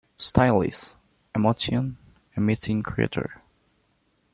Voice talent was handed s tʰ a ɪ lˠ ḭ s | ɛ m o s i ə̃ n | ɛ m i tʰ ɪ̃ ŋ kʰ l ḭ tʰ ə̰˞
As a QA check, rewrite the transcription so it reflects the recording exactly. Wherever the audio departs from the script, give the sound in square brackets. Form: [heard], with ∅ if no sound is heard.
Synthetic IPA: s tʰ a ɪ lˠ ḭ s | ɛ m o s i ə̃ n | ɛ m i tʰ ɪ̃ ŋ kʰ [ɹ] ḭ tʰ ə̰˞

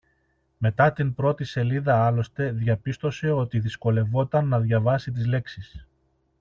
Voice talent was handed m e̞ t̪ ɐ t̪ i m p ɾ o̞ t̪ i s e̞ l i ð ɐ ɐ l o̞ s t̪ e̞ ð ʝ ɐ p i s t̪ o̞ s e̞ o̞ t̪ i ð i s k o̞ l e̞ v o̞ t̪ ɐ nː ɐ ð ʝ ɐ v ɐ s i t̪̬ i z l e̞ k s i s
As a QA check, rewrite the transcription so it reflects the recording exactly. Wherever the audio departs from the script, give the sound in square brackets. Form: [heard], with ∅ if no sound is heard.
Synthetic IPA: m e̞ t̪ ɐ t̪ i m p ɾ o̞ t̪ i s e̞ l i ð ɐ ɐ l o̞ s t̪ e̞ ð ʝ ɐ p i s t̪ o̞ s e̞ o̞ t̪ i ð i s k o̞ l e̞ v o̞ t̪ ɐ nː ɐ ð ʝ ɐ v ɐ s i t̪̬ i z l e̞ k s i s

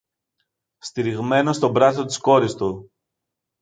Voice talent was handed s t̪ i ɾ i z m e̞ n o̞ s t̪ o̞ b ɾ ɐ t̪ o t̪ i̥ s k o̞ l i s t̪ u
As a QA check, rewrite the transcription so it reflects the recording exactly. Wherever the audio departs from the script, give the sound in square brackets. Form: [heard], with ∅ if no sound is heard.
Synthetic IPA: s t̪ i ɾ i [ɣ] m e̞ n o̞ s t̪ o̞ b ɾ ɐ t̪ o t̪ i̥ s k o̞ [ɾ] i s t̪ u

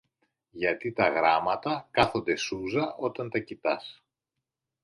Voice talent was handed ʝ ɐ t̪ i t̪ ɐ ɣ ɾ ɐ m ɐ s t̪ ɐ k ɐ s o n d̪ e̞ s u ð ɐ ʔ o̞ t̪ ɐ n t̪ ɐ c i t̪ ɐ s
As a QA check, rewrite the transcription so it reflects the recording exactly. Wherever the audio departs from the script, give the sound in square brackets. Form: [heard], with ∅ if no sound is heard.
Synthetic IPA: ʝ ɐ t̪ i t̪ ɐ ɣ ɾ ɐ m ɐ [∅] t̪ ɐ k ɐ [θ] o n d̪ e̞ s u [z] ɐ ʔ o̞ t̪ ɐ n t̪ ɐ c i t̪ ɐ s

